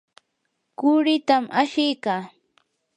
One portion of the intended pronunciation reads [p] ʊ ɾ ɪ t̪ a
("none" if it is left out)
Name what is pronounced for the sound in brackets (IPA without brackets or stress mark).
k